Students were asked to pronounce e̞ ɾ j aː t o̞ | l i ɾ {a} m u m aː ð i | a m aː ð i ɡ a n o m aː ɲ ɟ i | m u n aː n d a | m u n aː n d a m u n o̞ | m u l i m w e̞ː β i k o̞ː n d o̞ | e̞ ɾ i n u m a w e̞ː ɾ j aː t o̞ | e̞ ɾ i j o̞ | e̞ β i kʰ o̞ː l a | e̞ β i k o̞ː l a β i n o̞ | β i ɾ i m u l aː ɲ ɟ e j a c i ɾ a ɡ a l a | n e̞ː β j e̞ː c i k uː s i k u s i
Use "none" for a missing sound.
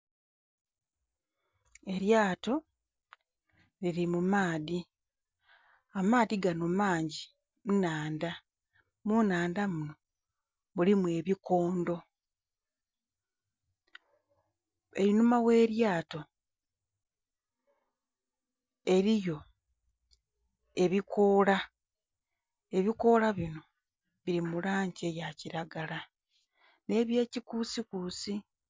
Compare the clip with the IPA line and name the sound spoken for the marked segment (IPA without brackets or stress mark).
i